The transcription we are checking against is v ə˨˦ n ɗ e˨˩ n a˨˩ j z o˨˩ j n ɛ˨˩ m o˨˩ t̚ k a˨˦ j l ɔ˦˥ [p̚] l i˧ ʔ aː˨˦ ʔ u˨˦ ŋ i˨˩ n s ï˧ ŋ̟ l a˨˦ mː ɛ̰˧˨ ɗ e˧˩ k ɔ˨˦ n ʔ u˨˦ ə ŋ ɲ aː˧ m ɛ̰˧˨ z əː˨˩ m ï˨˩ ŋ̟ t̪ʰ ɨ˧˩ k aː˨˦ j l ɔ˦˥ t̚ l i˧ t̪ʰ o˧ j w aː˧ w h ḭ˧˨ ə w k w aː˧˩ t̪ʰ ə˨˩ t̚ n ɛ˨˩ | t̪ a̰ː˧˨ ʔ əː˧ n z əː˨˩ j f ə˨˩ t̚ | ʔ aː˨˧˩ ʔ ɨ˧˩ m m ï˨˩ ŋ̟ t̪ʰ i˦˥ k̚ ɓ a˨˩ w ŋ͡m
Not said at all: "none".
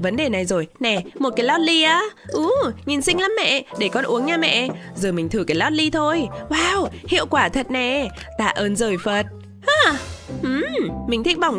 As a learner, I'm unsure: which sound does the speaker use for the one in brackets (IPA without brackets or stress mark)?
t̚